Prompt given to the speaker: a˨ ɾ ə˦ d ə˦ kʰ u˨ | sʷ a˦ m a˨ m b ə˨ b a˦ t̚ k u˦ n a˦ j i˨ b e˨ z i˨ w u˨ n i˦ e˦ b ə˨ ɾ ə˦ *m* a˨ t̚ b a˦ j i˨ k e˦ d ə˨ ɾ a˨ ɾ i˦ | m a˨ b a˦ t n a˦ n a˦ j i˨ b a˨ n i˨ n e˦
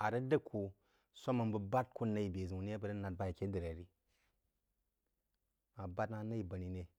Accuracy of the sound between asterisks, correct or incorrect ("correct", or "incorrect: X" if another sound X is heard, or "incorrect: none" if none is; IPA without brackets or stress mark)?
incorrect: n